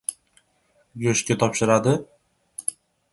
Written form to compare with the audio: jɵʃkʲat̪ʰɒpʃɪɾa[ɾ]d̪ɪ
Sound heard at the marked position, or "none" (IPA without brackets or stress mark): none